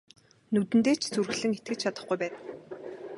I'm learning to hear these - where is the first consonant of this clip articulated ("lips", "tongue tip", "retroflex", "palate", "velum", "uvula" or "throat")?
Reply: tongue tip